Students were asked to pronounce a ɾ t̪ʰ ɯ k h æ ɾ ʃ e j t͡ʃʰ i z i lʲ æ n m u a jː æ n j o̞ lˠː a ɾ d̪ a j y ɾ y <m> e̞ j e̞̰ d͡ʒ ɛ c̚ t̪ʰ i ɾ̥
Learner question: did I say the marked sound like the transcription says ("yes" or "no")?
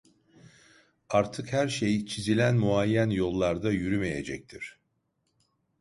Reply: yes